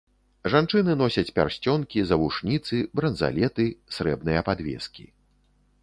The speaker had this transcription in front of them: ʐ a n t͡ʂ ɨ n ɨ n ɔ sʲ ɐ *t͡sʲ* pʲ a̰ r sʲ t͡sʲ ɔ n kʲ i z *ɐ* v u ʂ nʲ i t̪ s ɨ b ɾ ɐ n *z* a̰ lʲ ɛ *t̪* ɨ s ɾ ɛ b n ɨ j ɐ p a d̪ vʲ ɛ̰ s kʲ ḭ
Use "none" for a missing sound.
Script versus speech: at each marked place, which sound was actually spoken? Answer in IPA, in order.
t͡sʲ, ɐ, z, t̪

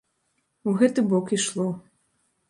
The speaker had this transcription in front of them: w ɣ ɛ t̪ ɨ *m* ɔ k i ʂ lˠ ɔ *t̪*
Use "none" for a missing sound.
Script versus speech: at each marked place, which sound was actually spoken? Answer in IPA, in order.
b, none

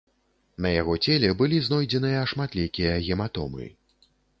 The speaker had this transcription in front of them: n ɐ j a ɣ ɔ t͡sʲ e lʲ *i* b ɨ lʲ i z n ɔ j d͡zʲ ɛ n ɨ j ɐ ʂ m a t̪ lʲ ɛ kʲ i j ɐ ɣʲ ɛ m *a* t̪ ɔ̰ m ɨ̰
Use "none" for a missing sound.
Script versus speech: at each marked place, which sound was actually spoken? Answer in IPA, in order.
ɛ, a

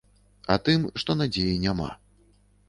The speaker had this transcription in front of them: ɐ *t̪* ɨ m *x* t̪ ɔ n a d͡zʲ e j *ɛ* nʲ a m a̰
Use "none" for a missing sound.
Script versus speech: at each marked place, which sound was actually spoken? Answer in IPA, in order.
t̪, ʂ, i

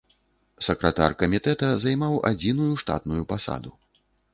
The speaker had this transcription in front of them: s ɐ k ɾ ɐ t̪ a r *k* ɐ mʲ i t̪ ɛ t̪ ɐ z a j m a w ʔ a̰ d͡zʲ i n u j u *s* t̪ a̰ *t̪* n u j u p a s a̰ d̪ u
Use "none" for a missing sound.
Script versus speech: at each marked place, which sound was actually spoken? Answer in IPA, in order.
k, ʂ, t̪

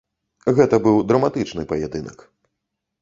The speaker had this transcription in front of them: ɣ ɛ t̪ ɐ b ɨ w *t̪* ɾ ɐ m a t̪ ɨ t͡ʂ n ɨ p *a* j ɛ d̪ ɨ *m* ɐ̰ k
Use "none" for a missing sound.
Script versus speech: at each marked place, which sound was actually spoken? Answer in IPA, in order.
d̪, ɐ, n

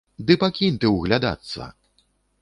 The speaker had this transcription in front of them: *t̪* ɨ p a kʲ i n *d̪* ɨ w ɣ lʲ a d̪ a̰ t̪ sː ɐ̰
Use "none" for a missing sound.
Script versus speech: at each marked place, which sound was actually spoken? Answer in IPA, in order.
d̪, t̪

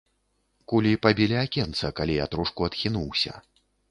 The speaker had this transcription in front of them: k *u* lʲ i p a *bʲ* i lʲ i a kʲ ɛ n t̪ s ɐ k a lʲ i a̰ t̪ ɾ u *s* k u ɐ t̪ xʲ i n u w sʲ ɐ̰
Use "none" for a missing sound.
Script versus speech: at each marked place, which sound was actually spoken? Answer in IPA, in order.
u, bʲ, ʂ

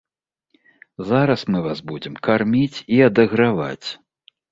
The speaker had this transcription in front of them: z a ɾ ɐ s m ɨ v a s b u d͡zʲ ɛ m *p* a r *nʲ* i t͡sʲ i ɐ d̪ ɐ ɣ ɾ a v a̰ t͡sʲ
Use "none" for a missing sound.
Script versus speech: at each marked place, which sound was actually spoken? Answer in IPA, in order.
k, mʲ

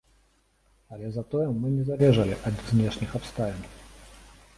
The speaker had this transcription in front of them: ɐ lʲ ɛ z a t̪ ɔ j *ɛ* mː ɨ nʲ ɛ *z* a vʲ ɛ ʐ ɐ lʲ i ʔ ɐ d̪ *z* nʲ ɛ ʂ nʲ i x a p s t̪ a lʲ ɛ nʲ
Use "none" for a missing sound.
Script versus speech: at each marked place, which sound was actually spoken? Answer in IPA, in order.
ɛ, z, z

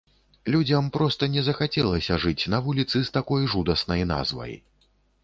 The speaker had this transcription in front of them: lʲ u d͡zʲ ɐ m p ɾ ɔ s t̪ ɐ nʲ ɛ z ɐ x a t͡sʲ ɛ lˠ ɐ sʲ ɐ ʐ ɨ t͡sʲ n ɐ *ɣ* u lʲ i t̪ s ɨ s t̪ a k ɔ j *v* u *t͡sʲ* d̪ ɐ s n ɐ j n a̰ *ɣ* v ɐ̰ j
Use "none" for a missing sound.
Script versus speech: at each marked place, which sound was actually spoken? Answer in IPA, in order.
v, ʐ, none, z

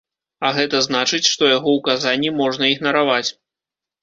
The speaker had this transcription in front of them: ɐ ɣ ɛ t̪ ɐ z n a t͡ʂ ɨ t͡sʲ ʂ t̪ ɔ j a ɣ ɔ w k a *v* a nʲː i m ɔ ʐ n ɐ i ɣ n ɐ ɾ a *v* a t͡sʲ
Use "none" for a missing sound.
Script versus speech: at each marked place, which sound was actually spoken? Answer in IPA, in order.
z, v

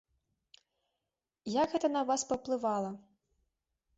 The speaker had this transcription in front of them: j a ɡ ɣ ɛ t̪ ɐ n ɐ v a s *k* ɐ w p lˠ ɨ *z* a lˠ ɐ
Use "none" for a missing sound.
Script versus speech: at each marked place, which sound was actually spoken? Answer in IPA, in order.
p, v

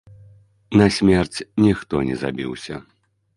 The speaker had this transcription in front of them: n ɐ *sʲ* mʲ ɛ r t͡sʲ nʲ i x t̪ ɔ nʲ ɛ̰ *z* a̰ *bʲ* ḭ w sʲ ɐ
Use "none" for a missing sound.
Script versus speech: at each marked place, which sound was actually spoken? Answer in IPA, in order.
sʲ, z, bʲ

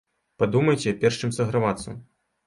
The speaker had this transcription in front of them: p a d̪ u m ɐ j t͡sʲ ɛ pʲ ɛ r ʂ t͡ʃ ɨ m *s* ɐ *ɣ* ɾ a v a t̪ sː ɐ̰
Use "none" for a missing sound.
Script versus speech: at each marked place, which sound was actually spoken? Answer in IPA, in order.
s, ɣ

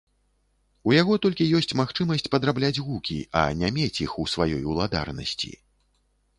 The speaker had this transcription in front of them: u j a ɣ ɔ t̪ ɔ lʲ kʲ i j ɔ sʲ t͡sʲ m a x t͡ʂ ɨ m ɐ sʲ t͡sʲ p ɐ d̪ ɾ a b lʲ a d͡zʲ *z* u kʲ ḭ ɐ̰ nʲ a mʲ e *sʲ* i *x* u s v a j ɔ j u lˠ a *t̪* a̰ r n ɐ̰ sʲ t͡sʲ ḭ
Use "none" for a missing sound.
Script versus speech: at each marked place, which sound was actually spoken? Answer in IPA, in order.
ɣ, t͡sʲ, x, d̪

